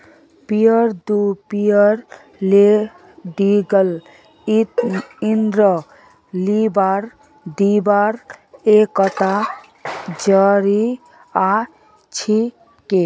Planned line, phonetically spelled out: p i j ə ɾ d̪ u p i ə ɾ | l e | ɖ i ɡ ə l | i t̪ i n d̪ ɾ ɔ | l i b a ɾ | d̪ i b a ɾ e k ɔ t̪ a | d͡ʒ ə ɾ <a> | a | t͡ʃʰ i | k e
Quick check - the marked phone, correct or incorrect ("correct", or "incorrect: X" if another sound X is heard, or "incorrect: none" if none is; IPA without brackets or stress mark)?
incorrect: i